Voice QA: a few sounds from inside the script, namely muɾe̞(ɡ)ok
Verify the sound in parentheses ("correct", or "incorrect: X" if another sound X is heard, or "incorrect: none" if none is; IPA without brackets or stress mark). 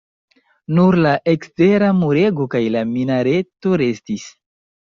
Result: correct